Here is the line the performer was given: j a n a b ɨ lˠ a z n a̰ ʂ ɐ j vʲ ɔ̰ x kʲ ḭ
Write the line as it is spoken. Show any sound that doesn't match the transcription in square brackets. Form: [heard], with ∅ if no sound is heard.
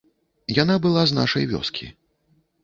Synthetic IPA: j a n a b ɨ lˠ a z n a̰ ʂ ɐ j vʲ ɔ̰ [s] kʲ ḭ